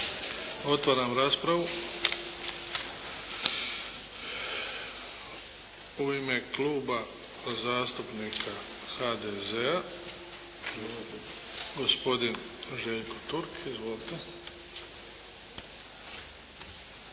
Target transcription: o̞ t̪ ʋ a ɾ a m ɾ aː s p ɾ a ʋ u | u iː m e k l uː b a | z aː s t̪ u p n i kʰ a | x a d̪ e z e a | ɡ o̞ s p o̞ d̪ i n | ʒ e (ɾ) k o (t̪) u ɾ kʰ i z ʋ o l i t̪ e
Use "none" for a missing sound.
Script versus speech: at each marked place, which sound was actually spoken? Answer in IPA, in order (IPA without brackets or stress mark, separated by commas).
ʎ, t̪